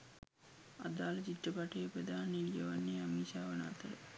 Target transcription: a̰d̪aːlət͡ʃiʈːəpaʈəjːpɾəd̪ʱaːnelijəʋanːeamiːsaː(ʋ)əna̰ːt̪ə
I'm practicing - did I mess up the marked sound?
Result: no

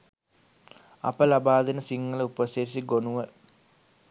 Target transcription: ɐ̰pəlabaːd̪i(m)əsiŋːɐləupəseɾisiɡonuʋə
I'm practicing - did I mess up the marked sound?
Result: yes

